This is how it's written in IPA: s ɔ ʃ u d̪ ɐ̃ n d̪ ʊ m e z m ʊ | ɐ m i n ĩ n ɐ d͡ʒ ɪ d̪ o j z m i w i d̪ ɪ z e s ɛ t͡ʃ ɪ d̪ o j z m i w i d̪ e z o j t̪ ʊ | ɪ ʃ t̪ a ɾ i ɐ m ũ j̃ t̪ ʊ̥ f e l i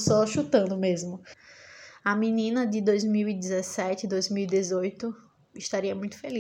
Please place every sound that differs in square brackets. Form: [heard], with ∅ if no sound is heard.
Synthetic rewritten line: s ɔ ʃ u [t̪] ɐ̃ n d̪ ʊ m e z m ʊ | ɐ m i n ĩ n ɐ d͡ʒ ɪ d̪ o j z m i w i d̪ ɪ z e s ɛ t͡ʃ ɪ d̪ o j z m i w i d̪ e z o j t̪ ʊ | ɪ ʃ t̪ a ɾ i ɐ m ũ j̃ t̪ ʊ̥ f e l i